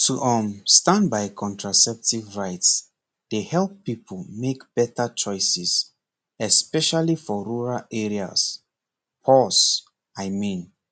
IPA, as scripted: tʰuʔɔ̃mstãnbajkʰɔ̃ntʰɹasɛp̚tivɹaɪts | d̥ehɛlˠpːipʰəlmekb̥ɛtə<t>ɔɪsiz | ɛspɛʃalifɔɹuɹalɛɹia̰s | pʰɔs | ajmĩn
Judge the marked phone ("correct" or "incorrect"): incorrect